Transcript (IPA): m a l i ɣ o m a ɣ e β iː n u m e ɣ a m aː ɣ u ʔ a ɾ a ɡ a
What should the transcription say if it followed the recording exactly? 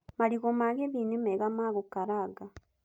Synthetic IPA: m a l i ɣ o m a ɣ e β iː n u m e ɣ a m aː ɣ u k a ɾ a ɡ a